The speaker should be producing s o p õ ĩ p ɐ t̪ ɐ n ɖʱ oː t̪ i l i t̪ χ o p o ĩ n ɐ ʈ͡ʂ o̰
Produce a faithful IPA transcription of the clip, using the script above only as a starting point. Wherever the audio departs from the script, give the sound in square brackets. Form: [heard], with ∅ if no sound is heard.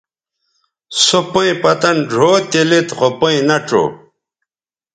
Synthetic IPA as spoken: s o p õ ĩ p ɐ t̪ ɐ n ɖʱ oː t̪ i l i t̪ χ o p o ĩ n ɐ ʈ͡ʂ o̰